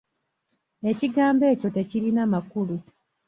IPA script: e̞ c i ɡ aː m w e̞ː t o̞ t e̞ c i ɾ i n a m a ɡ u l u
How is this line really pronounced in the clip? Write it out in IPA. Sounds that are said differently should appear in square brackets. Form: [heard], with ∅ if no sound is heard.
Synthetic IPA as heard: e̞ c i ɡ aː m [b] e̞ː [c] o̞ t e̞ c i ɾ i n a m a [k] u l u